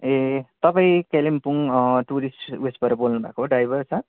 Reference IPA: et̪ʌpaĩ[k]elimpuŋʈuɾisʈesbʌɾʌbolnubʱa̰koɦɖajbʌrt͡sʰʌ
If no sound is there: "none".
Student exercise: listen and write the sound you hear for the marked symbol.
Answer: k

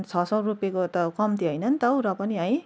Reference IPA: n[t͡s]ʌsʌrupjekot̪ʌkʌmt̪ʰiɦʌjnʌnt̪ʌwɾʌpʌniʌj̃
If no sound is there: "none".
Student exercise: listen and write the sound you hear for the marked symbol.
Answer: t͡sʰ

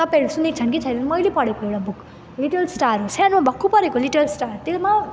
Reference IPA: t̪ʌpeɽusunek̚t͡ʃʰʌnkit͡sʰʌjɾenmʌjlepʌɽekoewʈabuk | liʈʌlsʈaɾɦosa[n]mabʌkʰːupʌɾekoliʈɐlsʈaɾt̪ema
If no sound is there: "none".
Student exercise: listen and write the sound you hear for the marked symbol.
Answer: n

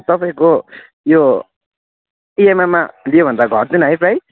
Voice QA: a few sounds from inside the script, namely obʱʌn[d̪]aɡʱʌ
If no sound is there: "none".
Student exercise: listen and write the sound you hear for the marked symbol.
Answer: d̪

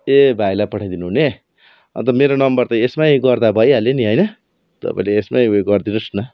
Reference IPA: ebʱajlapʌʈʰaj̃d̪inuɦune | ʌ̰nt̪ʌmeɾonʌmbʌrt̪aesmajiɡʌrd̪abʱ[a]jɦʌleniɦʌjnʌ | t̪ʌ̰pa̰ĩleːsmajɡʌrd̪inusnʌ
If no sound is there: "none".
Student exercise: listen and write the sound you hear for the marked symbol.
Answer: ʌ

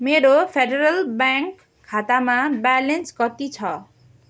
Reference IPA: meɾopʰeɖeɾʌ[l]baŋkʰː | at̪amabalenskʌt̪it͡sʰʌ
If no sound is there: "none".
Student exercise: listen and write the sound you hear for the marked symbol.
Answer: l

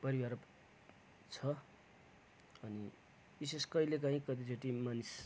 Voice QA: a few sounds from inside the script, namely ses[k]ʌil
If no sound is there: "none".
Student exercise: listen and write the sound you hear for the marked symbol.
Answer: k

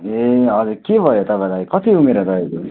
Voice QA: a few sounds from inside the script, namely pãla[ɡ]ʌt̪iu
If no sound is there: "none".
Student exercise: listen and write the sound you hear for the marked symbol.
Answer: k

